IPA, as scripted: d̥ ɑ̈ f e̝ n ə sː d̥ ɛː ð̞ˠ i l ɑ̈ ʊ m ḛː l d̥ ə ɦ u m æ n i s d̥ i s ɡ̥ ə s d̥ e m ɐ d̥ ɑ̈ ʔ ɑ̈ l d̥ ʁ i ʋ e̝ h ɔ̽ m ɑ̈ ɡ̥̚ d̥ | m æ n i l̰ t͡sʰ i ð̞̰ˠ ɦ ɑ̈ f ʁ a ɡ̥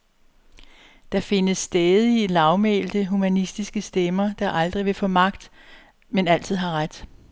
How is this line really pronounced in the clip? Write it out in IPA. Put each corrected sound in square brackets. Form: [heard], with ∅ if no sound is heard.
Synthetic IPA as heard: d̥ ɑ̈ f e̝ n ə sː d̥ ɛː ð̞ˠ i l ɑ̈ ʊ m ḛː l d̥ ə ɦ u m æ n i s d̥ i s ɡ̥ ə s d̥ e m ɐ d̥ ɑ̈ ʔ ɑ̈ l d̥ ʁ i ʋ e̝ [f] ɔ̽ m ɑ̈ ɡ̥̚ d̥ | m [e] n [æ] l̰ t͡sʰ i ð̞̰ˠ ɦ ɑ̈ [∅] ʁ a [d̥]